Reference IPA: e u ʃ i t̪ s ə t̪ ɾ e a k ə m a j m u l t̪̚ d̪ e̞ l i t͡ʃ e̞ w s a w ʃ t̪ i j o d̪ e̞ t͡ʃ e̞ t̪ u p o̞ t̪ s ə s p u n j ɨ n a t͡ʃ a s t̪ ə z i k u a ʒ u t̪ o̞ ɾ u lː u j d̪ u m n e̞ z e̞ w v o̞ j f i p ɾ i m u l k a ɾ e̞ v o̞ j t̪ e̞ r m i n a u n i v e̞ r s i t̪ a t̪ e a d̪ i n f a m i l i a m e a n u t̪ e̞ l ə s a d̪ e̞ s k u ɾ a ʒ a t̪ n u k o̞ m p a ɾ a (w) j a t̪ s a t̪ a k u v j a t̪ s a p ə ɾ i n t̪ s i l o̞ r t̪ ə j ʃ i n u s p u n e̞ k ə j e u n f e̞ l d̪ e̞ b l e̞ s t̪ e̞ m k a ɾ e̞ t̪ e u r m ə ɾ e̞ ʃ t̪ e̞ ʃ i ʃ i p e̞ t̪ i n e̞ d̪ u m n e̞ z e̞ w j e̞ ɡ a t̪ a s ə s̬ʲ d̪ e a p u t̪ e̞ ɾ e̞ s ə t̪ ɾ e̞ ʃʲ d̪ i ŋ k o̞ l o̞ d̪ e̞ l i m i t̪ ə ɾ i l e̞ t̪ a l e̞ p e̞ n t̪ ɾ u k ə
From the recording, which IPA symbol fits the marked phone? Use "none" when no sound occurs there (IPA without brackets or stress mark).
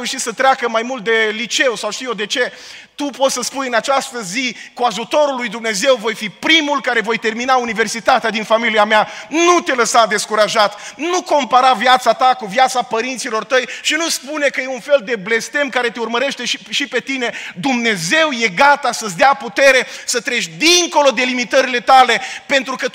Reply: v